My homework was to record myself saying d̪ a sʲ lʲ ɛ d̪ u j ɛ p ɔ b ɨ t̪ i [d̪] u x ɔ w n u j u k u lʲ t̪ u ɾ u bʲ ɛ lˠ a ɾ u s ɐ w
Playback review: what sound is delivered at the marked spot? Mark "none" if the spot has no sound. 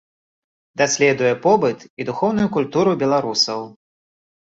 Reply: d̪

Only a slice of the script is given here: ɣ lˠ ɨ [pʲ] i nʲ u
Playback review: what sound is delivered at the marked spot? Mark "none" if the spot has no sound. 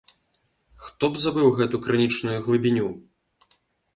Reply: bʲ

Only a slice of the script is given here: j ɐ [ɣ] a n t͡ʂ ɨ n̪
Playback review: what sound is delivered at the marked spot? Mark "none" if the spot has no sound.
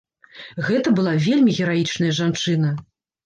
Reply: ʐ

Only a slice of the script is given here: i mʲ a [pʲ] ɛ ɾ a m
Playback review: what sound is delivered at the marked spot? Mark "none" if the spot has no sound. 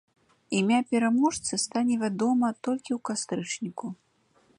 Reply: pʲ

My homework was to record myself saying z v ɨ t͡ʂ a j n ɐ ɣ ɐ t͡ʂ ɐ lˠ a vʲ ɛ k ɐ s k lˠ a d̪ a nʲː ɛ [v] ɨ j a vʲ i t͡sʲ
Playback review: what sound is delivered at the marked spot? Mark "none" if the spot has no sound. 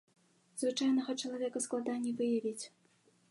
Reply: v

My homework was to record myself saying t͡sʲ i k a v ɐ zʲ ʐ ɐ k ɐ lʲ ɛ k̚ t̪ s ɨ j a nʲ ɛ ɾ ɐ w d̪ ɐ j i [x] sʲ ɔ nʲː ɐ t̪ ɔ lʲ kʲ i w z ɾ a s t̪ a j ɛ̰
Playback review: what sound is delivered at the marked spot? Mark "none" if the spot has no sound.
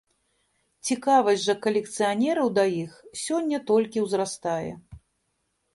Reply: x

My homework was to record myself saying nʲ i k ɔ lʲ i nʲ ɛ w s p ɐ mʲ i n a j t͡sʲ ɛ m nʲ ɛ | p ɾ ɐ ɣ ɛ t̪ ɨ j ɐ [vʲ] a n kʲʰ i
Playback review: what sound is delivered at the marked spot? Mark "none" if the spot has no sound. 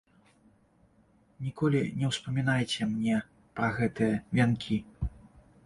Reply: vʲ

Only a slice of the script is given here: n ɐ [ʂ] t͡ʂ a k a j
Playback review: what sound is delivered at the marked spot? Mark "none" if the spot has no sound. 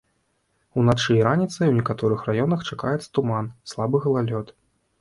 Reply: x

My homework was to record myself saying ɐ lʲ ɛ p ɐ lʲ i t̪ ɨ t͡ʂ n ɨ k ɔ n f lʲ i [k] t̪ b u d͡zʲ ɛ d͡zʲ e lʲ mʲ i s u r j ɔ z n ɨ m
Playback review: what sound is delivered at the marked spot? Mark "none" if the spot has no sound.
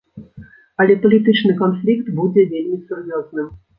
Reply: k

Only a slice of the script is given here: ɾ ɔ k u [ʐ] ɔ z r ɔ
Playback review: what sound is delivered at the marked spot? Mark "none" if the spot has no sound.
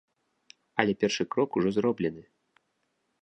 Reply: ʐ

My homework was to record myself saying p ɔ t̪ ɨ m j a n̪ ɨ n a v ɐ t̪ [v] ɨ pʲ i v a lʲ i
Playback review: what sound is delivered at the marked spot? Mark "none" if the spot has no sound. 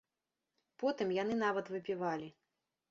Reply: v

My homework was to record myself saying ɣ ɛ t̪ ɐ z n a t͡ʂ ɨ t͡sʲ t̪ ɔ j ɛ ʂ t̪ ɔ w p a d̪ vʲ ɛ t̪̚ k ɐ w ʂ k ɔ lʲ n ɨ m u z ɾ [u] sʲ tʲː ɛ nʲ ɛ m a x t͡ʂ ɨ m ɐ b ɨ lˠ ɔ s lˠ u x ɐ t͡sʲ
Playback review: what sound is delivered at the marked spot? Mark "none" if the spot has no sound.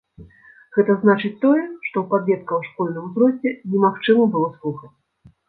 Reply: ɔ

